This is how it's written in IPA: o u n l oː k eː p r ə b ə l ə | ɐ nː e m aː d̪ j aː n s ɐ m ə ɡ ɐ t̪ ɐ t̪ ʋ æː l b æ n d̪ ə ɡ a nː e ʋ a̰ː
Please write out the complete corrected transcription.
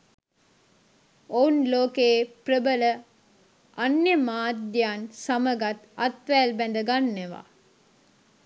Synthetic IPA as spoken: o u n l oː k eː p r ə b ə l ə | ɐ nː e m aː d̪ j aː n s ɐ m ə ɡ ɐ t̪ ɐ t̪ ʋ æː l b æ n d̪ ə ɡ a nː e ʋ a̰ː